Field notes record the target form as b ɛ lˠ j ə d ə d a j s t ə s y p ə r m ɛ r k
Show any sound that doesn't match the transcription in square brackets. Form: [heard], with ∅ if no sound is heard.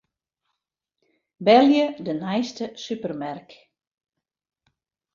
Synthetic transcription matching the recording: b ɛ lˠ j ə d ə [n] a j s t ə s y p ə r m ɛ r k